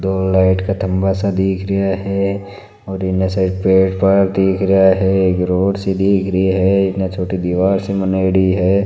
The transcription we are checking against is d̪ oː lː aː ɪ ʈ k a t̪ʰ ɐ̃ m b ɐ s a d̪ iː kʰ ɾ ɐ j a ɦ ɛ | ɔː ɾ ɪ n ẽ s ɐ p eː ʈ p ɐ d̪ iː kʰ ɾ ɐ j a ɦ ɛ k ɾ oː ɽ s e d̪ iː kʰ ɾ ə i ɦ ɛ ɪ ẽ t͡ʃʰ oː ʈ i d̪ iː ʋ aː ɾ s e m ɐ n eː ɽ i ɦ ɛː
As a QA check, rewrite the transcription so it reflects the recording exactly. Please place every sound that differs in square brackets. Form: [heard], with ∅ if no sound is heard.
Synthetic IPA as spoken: d̪ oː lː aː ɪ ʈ k a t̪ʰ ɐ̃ m b [a] s a d̪ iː kʰ ɾ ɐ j a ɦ ɛ | ɔː ɾ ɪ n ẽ s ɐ p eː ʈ p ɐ d̪ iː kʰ ɾ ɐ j a ɦ ɛ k ɾ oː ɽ s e d̪ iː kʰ ɾ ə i ɦ ɛ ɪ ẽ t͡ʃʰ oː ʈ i d̪ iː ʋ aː ɾ s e m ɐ n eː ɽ i ɦ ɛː